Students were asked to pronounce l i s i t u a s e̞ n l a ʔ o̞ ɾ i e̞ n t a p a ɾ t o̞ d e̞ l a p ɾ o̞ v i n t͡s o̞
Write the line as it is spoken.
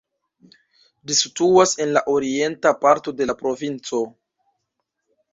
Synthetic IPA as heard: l i s i t u a s e̞ n l a ʔ o̞ ɾ i e̞ n t a p a ɾ t o̞ d e̞ l a p ɾ o̞ v i n t͡s o̞